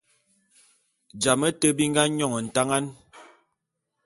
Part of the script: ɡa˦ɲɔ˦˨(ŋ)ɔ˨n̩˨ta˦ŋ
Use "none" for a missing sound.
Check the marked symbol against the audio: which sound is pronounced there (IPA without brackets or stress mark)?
ŋ